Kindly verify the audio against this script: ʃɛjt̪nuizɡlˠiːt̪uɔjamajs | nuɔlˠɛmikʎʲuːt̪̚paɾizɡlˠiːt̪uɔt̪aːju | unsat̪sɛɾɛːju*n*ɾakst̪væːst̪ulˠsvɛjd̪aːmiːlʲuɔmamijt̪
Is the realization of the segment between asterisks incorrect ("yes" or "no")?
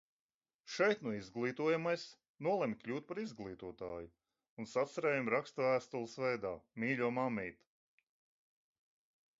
yes